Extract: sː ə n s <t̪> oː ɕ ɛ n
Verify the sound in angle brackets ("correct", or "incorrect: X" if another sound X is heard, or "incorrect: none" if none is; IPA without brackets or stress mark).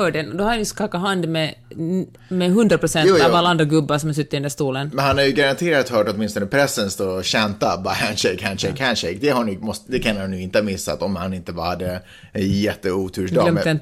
correct